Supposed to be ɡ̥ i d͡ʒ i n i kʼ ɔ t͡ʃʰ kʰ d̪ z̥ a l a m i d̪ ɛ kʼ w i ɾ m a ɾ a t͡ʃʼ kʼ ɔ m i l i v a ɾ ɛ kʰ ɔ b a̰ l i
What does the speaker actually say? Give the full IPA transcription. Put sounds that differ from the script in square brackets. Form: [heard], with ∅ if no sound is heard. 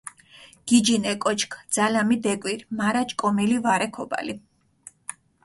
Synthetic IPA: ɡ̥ i d͡ʒ i n [ɛ] kʼ ɔ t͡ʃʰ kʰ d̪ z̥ a l a m i d̪ ɛ kʼ w i ɾ m a ɾ a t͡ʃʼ kʼ ɔ m i l i v a ɾ ɛ kʰ ɔ b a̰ l i